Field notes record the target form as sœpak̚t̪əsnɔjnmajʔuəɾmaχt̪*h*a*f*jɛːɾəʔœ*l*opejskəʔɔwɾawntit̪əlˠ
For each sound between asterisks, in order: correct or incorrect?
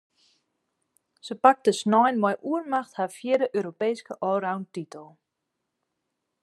correct, correct, incorrect

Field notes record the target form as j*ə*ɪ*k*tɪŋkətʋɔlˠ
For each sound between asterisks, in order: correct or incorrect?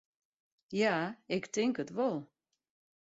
incorrect, correct

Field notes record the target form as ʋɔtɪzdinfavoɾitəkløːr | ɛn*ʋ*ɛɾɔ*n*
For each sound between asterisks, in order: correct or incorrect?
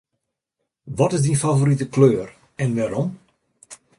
correct, incorrect

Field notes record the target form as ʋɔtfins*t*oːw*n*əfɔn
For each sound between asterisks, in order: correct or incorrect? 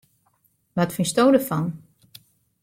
correct, incorrect

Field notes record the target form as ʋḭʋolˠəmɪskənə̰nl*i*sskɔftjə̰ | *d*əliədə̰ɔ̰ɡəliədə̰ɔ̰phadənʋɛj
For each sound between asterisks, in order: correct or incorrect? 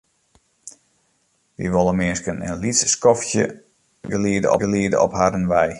correct, incorrect

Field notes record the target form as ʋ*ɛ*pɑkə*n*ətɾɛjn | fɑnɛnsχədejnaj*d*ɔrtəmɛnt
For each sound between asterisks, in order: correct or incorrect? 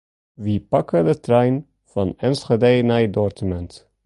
incorrect, incorrect, correct

